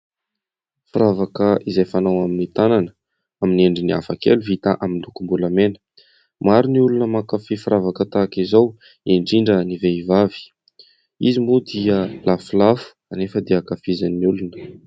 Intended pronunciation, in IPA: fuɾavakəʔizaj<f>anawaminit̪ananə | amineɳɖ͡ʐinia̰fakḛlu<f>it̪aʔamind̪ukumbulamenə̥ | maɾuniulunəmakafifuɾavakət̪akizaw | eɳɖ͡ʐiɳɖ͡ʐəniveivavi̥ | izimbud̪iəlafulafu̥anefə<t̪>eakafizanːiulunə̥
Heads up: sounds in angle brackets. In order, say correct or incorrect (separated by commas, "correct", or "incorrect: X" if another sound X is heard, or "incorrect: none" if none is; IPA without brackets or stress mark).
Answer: correct, incorrect: v, incorrect: d̪